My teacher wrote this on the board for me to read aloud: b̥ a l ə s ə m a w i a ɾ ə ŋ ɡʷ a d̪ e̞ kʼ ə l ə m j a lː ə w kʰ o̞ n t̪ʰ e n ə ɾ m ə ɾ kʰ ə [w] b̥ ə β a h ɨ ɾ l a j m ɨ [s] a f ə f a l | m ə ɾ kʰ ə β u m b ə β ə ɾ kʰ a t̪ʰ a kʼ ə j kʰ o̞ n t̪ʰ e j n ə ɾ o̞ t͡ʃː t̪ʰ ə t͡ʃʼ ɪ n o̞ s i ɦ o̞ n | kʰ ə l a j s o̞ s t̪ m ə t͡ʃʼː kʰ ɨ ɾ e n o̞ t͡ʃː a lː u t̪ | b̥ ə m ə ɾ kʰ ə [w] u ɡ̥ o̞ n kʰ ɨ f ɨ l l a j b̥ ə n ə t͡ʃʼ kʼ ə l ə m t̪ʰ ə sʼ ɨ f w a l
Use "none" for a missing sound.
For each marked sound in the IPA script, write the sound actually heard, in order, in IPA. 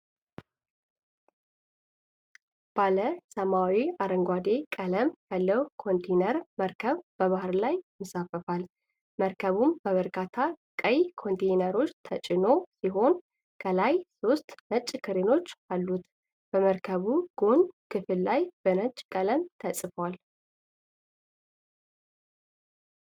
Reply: β, s, β

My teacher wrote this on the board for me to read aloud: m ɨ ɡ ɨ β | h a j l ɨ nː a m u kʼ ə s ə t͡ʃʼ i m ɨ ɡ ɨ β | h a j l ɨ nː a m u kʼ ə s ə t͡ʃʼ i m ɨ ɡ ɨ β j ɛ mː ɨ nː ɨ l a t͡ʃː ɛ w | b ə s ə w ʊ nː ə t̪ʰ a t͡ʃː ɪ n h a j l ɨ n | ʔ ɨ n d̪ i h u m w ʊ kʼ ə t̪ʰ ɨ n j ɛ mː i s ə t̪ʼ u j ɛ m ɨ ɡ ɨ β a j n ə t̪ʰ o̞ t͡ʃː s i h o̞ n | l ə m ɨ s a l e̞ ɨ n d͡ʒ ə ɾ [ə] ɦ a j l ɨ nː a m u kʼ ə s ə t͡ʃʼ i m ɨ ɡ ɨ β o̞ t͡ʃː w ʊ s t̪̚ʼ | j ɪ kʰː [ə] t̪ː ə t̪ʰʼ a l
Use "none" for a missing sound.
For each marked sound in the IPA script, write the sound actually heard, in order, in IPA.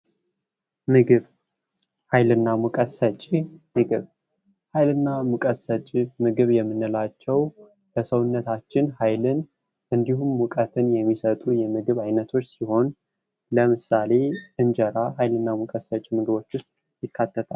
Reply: a, a

